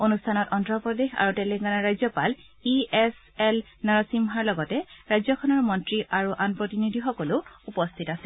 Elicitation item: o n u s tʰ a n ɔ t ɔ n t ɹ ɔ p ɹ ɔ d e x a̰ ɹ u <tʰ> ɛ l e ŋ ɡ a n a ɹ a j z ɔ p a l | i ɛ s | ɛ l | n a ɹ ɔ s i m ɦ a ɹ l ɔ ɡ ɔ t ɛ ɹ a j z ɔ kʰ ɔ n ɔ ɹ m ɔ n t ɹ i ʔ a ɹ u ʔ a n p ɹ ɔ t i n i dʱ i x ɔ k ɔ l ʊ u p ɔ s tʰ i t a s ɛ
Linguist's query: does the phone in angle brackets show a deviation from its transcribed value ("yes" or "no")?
yes